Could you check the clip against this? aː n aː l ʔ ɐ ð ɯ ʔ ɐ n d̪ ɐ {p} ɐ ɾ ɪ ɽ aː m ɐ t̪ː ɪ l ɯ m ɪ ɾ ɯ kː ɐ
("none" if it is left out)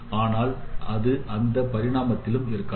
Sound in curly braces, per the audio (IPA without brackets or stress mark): p